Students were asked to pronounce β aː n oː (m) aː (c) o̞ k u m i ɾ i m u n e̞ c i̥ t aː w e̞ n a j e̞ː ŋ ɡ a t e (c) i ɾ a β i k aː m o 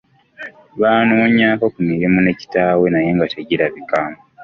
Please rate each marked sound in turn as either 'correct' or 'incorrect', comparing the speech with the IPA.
incorrect: ɲ, incorrect: k, incorrect: ɟ

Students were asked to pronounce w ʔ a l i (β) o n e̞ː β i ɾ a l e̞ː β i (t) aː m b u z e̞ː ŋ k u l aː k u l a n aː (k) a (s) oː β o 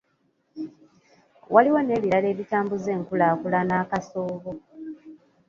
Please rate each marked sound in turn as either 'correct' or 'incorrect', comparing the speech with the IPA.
incorrect: w, correct, correct, correct

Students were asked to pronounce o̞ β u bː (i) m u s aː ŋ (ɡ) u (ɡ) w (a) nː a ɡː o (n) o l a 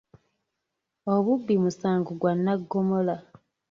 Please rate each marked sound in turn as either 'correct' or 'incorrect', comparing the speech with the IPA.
correct, correct, correct, correct, incorrect: m

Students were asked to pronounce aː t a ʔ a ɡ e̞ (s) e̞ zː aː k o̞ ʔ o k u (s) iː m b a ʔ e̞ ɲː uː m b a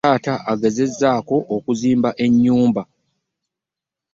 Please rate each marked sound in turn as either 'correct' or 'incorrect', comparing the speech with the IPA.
incorrect: z, incorrect: z

